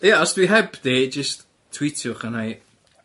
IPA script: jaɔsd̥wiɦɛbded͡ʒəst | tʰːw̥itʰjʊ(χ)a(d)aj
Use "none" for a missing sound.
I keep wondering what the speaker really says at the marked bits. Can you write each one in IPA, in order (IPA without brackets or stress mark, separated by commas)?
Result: χ, n